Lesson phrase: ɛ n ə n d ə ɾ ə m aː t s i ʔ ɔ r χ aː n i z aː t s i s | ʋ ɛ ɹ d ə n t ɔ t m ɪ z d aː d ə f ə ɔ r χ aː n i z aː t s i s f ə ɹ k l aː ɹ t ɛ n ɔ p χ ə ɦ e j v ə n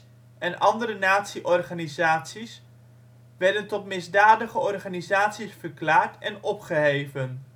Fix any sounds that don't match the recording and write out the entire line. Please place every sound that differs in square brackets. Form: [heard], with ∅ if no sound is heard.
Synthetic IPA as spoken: ɛ n [ɑ] n d ə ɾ ə [n] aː t s i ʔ ɔ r χ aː n i z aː t s i s | ʋ ɛ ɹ d ə n t ɔ t m ɪ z d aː d ə [χ] ə ɔ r χ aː n i z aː t s i s f ə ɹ k l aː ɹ t ɛ n ɔ p χ ə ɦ e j v ə n